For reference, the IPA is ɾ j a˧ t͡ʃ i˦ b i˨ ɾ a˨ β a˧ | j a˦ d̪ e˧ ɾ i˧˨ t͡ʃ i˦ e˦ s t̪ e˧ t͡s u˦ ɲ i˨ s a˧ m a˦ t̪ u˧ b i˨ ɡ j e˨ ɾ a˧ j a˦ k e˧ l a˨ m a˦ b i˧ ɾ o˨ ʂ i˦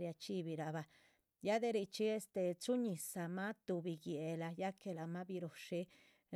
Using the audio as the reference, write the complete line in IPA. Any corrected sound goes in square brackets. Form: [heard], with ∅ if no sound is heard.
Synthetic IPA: ɾ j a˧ t͡ʃ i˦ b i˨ ɾ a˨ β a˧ | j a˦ d̪ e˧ ɾ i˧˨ t͡ʃ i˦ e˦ s t̪ e˧ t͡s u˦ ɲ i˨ s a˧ m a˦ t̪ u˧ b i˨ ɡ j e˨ [l] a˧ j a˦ k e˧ l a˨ m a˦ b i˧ ɾ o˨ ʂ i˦